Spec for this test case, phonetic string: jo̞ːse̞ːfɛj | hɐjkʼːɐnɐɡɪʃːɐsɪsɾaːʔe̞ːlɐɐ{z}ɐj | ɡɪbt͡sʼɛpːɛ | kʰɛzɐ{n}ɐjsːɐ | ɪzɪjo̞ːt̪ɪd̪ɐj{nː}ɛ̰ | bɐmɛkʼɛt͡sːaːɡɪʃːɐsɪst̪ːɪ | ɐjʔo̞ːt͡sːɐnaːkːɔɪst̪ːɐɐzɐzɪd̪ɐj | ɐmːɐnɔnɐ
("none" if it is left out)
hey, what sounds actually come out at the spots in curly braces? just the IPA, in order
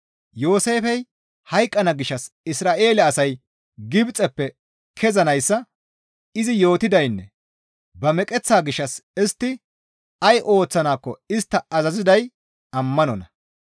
s, n, nː

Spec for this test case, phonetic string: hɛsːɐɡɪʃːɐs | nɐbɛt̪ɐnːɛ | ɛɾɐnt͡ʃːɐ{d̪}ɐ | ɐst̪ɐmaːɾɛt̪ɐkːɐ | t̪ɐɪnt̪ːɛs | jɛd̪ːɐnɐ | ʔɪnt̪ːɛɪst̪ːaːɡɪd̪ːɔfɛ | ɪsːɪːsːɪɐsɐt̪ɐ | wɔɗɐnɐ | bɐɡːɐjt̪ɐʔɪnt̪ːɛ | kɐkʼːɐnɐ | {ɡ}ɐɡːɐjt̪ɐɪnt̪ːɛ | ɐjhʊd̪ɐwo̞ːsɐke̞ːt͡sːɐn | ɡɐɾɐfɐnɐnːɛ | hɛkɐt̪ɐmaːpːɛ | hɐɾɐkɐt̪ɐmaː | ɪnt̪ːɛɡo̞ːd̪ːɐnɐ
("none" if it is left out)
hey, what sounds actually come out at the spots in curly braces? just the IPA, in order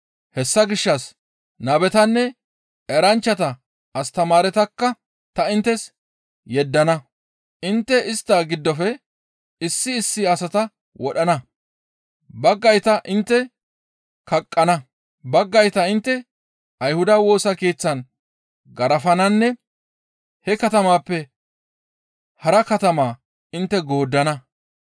t̪, b

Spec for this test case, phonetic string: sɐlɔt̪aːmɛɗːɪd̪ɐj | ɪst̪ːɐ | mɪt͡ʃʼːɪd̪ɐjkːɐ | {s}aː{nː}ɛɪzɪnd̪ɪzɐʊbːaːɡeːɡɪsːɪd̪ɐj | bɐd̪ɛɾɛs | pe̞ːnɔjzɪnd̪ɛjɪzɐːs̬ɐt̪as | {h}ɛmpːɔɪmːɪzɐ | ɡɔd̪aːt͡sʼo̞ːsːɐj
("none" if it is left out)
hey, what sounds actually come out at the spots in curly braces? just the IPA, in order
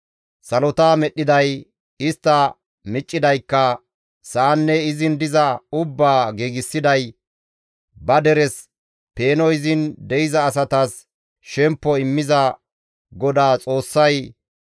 s, nː, ʃ

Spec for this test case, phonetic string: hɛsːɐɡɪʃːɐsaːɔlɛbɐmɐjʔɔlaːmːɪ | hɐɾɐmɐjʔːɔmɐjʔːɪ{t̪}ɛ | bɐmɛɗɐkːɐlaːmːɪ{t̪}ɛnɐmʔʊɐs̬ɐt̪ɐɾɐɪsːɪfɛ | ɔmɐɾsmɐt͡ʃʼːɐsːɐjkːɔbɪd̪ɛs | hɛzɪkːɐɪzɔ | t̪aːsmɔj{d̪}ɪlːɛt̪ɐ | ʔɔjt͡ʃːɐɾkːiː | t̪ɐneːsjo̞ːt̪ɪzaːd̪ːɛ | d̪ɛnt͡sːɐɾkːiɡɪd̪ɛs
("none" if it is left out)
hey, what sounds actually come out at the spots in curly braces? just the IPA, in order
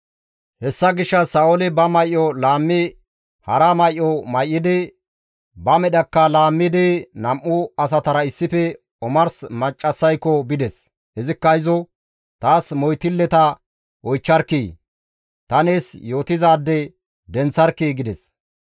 d̪, d̪, t̪

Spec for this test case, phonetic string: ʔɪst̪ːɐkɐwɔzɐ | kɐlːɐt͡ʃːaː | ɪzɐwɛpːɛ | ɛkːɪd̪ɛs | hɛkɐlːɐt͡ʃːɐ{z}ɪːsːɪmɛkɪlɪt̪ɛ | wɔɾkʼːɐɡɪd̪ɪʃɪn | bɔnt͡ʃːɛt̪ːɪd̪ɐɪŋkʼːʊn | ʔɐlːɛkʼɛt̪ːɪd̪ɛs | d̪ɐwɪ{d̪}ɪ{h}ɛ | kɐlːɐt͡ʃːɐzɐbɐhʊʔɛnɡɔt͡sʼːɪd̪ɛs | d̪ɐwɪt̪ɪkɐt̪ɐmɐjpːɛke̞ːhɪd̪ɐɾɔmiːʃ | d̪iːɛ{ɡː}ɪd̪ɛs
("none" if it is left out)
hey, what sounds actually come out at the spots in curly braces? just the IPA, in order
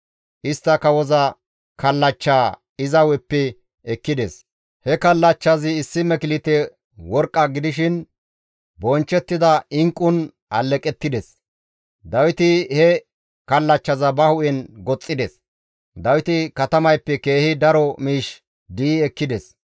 z, t̪, h, kː

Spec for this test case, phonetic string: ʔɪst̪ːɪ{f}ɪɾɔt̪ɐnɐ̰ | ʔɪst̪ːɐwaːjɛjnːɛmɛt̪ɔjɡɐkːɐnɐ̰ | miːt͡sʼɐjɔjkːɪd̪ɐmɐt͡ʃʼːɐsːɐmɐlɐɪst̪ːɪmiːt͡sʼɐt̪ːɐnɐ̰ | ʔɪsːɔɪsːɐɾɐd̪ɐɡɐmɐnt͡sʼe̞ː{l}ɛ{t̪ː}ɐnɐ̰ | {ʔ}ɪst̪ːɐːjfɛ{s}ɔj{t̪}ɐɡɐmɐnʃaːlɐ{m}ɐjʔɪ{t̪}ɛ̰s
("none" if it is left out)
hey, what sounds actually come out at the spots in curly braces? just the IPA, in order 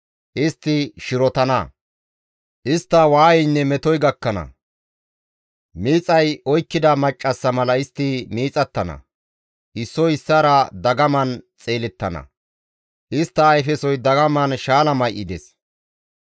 ʃ, l, t̪ː, ʔ, s, d̪, m, d̪

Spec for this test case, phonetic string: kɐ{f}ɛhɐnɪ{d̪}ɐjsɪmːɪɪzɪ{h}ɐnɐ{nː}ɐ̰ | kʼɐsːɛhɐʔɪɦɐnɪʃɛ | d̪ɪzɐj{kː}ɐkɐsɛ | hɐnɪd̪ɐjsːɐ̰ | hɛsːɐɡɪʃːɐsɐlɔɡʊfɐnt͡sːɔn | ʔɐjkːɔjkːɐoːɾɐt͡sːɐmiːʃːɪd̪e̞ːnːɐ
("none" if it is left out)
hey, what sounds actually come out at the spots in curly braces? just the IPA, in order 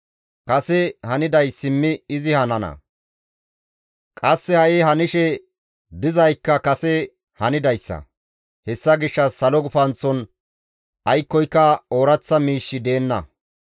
s, d̪, h, n, kː

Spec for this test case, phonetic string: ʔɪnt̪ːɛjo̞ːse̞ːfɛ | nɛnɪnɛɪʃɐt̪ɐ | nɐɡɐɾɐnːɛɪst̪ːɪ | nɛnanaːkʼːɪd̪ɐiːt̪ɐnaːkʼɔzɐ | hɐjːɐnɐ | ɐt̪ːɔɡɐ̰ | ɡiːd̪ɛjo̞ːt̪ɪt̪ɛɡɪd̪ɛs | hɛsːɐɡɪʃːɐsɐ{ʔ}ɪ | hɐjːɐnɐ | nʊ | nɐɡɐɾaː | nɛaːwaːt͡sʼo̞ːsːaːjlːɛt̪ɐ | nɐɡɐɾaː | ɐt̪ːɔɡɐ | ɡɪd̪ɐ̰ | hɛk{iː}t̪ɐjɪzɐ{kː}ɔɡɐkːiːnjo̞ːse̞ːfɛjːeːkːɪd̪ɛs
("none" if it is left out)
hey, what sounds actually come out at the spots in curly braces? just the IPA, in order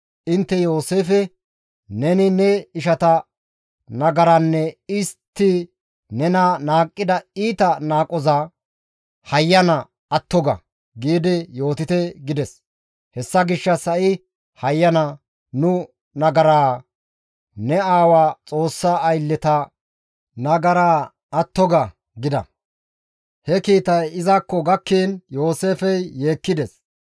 ʔ, iː, kː

